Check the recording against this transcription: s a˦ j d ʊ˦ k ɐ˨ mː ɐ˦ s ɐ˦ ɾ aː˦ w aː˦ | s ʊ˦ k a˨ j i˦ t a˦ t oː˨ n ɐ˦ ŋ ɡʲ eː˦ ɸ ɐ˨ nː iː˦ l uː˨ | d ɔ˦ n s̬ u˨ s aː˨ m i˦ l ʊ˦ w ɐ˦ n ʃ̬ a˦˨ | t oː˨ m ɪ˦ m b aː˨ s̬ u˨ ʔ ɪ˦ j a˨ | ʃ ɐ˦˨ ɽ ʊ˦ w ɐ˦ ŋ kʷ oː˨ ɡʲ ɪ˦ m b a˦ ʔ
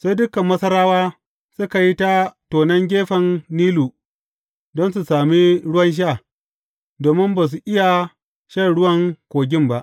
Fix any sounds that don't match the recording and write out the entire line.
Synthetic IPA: s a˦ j d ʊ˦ k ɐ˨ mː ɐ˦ s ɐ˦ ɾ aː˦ w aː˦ | s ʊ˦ k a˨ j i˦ t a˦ t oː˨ n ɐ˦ ŋ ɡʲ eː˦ ɸ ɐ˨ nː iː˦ l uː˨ | d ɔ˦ n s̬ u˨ s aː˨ m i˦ ɽ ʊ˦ w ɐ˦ n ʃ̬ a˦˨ | d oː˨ m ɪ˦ m b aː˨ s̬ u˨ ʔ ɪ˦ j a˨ | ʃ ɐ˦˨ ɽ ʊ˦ w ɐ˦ ŋ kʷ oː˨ ɡʲ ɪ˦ m b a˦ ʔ